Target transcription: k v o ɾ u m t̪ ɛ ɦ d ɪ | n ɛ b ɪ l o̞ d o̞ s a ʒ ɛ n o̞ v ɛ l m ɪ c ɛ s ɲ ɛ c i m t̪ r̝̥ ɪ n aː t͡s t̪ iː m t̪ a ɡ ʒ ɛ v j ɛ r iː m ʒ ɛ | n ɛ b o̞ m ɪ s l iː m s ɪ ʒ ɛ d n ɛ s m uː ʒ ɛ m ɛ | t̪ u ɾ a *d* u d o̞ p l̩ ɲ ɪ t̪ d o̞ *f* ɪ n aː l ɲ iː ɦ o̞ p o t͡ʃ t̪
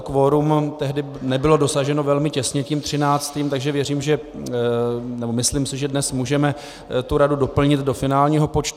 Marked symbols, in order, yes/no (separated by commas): yes, yes